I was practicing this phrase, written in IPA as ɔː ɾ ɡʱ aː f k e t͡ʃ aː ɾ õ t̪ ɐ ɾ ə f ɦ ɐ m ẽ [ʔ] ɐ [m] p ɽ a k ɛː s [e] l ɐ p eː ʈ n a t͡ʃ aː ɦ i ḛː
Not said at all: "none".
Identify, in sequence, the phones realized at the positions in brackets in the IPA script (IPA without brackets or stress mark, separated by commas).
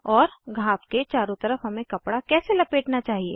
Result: k, none, e